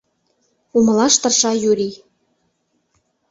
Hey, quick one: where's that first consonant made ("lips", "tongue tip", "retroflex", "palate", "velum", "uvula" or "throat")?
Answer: lips